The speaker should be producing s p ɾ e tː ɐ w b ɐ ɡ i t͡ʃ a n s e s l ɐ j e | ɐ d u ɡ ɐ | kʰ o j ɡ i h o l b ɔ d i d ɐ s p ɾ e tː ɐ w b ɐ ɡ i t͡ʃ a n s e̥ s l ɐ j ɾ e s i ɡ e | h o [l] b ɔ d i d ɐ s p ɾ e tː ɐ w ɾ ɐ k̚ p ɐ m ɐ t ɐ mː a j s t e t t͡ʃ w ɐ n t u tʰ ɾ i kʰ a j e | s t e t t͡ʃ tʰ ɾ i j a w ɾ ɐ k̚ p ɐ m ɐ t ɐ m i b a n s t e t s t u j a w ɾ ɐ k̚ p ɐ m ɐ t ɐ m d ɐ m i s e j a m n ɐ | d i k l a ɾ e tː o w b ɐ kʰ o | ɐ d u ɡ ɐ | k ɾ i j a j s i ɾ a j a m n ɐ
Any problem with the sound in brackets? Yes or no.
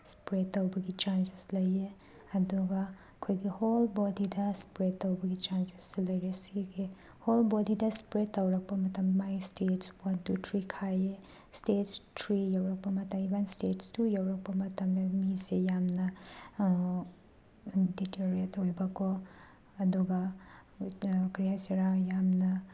no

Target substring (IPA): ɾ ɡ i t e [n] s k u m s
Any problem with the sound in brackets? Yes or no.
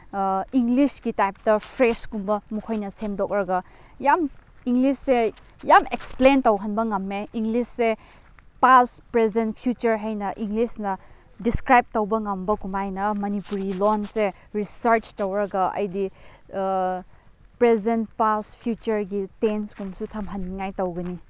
no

